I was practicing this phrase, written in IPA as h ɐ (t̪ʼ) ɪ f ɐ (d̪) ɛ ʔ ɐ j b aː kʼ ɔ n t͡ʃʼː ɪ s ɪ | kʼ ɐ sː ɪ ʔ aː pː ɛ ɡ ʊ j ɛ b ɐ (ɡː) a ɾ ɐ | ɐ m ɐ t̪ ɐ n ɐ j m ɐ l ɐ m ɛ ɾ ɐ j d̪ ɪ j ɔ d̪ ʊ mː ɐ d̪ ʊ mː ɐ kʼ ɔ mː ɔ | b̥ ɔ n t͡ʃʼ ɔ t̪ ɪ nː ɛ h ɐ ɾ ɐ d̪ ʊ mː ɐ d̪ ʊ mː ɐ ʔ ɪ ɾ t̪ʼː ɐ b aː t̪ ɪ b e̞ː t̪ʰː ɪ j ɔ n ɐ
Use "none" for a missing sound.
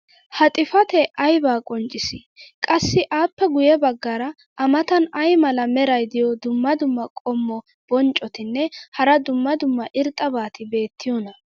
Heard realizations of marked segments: t̪ʼ, t̪, ɡː

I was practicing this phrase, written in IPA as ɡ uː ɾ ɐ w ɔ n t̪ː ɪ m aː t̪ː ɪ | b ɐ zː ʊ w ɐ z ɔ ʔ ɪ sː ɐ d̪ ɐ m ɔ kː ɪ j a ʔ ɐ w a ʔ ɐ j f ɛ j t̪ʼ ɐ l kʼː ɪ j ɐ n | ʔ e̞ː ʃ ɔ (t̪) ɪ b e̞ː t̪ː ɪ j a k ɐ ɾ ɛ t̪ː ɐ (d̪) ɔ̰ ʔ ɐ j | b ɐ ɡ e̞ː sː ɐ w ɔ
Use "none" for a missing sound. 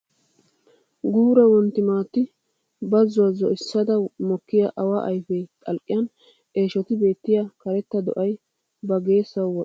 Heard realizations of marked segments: t̪, d̪

